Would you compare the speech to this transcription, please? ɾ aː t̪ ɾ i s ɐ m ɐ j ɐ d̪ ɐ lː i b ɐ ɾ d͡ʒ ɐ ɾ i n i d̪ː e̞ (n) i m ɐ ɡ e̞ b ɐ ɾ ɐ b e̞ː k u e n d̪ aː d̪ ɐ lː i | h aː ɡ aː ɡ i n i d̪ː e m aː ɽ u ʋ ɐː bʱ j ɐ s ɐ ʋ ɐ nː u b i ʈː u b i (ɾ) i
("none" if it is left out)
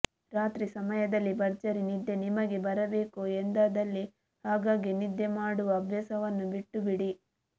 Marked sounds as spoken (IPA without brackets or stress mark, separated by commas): n, ɽ